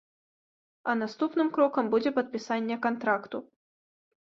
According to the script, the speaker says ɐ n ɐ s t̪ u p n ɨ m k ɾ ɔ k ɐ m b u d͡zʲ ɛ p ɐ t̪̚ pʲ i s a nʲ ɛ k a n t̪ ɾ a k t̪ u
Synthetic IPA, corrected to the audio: ɐ n a s t̪ u p n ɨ m k ɾ ɔ k ɐ m b u d͡zʲ ɛ p ɐ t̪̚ pʲ i s a nʲː ɛ k a n t̪ ɾ a k t̪ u